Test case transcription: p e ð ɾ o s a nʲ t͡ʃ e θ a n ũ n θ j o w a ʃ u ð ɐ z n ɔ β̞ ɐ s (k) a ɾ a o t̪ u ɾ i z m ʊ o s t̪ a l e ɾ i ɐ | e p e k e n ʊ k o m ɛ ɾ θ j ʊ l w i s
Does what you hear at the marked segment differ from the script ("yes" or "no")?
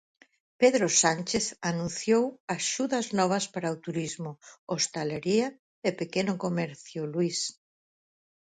yes